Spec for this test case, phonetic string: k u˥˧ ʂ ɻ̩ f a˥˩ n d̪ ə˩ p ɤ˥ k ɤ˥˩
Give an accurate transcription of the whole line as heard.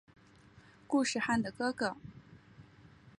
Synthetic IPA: k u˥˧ ʂ ɻ̩ x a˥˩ n d̪ ə˩ k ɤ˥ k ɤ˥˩